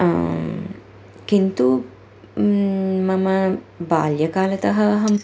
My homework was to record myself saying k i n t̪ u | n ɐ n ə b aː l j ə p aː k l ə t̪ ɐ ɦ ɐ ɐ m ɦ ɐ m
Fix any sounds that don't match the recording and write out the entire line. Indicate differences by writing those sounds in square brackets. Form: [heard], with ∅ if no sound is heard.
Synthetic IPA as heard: k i n t̪ u | [m] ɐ [m] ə b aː l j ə [k] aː [∅] l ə t̪ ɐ ɦ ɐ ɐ [∅] ɦ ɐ m